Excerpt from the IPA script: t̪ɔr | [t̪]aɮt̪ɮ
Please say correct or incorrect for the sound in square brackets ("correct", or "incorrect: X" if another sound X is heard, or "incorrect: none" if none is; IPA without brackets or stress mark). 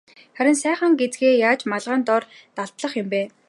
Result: correct